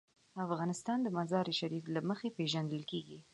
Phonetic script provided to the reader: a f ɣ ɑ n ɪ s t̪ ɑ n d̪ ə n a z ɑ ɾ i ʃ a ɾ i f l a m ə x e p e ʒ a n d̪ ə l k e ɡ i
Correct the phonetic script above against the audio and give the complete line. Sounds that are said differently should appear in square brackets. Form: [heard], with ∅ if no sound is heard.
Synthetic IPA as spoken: a f ɣ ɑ n ɪ s t̪ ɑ n d̪ ə [m] a z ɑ ɾ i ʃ a ɾ i f l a m ə x e p e ʒ a n d̪ ə l k e ɡ i